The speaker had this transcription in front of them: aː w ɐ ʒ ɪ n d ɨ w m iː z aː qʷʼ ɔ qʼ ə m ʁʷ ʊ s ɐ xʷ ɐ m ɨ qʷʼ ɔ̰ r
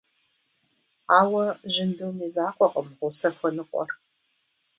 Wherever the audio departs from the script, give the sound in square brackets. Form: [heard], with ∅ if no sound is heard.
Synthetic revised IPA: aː w ɐ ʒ ɪ n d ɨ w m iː z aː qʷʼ ɔ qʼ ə m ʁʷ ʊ s ɐ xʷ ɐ [n] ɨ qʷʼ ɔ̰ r